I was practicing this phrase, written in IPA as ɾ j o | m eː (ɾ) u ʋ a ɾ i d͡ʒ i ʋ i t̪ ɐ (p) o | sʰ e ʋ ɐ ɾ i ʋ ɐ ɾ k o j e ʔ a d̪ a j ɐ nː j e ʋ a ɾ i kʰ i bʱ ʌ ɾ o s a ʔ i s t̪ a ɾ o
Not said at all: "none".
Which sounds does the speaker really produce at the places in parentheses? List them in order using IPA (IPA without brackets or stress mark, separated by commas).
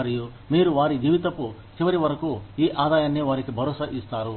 ɾ, p